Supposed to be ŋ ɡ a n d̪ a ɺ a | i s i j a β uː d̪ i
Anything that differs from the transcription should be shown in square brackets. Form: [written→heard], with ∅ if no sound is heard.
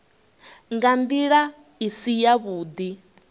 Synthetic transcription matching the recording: ŋ ɡ a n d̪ [a→i] ɺ a | i s i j a β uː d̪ i